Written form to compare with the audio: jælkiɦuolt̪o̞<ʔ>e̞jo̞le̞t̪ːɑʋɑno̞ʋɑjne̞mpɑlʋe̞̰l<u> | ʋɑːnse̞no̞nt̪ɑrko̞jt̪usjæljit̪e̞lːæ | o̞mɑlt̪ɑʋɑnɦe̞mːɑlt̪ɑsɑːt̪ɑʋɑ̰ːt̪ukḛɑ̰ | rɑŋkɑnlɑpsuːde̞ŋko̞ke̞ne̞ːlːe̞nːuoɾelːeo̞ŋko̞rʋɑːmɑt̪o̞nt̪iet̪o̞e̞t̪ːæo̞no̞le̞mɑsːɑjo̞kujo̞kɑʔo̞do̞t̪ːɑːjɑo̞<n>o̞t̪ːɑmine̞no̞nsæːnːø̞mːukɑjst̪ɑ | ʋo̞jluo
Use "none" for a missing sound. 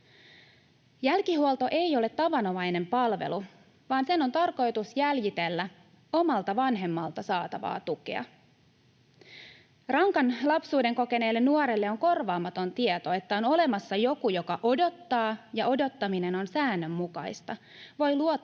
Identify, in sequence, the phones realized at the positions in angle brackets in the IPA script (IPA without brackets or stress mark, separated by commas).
ʔ, u, d